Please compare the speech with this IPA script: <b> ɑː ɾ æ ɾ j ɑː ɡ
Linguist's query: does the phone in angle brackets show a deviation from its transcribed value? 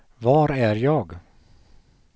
yes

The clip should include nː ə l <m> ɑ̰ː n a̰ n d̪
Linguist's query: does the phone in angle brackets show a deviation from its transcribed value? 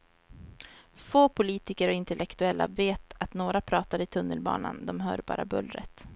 yes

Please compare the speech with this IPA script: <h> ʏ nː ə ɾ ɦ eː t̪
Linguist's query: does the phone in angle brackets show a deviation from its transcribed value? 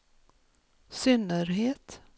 yes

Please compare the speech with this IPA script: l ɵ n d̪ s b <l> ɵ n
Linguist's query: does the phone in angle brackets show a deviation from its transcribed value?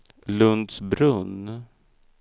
yes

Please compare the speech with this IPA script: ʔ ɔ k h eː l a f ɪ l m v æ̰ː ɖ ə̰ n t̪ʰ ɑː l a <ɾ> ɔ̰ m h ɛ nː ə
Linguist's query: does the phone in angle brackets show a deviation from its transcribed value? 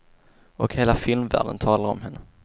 no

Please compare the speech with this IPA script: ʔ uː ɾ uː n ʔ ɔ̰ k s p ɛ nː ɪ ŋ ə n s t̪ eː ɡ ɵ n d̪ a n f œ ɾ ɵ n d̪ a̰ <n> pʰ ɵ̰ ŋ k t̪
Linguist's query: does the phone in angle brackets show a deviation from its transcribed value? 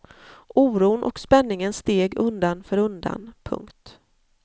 no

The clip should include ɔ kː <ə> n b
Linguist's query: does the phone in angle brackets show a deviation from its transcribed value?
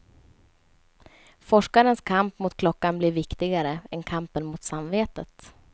yes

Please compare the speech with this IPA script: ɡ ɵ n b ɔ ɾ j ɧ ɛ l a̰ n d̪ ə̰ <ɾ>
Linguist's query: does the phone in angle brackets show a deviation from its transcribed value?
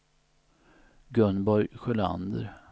no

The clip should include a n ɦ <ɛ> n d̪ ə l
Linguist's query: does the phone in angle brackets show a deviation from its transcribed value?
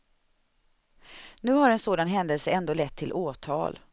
no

